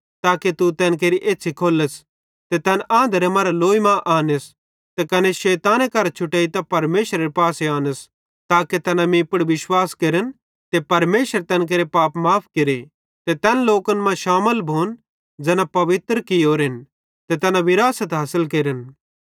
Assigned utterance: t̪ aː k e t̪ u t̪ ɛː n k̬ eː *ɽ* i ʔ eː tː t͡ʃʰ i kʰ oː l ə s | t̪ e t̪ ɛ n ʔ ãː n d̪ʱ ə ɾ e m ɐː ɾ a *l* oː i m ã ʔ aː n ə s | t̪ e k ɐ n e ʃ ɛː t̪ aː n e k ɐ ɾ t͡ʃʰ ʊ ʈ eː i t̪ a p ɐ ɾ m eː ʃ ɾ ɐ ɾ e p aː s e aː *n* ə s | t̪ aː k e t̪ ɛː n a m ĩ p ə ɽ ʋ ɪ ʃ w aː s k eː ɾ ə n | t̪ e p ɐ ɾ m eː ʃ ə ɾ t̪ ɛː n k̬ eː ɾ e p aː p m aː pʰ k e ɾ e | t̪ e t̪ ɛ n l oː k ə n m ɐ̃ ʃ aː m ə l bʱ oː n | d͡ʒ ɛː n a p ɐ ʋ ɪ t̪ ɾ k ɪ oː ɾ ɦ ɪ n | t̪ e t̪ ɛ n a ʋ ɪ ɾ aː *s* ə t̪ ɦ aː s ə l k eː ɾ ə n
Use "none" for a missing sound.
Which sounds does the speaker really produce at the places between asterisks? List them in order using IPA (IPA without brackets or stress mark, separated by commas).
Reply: ɾ, l, n, s